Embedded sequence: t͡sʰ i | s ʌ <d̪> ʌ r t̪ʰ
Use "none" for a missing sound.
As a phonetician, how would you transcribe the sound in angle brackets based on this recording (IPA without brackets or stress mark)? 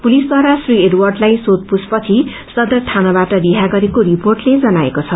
d̪